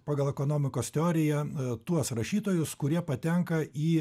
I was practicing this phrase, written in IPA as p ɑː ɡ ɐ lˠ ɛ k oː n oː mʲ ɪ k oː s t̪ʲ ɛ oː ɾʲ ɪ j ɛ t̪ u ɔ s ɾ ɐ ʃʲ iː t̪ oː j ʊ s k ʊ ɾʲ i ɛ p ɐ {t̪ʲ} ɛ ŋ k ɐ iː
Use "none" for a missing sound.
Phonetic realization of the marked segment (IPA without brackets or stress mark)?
t̪ʲ